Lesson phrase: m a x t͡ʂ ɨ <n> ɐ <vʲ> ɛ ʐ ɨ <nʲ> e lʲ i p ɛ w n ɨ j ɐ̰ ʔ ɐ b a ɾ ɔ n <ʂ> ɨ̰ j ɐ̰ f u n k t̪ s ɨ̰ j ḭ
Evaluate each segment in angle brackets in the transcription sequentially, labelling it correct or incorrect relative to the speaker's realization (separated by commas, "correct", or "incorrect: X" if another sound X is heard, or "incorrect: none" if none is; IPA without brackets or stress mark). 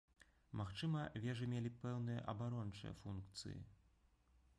incorrect: m, correct, incorrect: mʲ, incorrect: t͡ʂ